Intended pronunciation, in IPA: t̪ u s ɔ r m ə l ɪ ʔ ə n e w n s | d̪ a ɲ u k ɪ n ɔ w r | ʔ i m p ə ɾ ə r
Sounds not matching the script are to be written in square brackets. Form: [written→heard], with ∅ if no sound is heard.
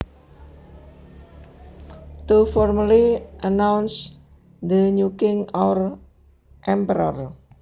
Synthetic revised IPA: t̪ u [s→f] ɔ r m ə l [ɪ→i] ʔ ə n [e→a] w n s | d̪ [a→ə] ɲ u k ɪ [n→ŋ] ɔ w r | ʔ [i→ɛ] m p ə ɾ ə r